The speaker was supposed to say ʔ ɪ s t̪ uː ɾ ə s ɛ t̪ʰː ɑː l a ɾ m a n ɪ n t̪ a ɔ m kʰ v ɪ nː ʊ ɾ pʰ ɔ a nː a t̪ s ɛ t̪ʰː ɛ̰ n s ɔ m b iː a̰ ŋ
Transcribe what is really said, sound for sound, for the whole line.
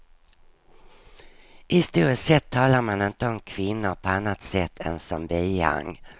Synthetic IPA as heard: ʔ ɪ s t̪ uː ɾ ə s ɛ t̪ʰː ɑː l a ɾ m a n ɪ n t̪ ə ɔ m kʰ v ɪ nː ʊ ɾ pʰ ɔ a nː a t̪ s ɛ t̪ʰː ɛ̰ n s ɔ m b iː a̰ ŋ